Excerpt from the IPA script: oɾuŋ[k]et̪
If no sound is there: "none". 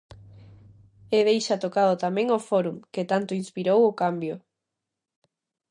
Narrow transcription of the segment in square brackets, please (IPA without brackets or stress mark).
k